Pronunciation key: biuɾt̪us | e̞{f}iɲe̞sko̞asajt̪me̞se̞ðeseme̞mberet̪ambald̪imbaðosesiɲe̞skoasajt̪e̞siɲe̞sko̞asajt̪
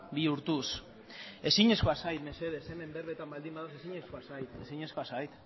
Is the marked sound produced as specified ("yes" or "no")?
no